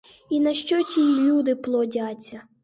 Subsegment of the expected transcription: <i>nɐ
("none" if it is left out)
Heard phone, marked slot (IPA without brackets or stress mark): i